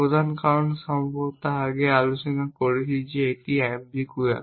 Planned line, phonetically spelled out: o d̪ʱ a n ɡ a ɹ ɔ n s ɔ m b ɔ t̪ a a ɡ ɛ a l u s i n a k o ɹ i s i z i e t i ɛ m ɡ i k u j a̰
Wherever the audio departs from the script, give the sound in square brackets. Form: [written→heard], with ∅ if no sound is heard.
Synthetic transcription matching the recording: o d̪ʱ a n [ɡ→k] a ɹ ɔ n s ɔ m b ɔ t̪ a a ɡ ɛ a l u s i n a k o ɹ i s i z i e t i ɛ m [ɡ→b] i k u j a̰